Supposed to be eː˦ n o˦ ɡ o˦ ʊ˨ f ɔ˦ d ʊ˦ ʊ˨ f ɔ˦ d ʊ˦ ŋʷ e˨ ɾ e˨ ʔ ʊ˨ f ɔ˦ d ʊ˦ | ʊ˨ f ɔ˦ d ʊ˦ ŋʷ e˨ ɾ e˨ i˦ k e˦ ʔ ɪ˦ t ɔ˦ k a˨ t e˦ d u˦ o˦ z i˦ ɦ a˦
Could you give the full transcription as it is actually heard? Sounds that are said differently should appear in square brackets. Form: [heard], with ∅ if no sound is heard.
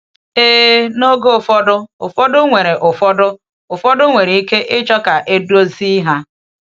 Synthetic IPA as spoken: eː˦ n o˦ ɡ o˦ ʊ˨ f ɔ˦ d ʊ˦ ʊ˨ f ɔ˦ d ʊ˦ ŋʷ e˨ ɾ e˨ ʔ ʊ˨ f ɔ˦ d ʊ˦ | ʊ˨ f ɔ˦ d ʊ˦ ŋʷ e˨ ɾ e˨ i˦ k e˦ ʔ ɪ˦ [t͡ʃ] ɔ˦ k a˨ [ʔ] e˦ d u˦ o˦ z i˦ ɦ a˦